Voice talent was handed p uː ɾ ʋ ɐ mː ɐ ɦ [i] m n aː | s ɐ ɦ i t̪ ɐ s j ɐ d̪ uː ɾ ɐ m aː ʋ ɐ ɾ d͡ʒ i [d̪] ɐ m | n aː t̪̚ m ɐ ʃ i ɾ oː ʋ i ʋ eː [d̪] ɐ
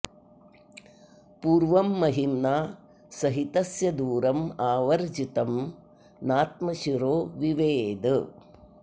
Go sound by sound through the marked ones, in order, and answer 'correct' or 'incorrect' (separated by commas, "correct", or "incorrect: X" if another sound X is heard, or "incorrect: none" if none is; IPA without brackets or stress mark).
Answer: correct, incorrect: t̪, correct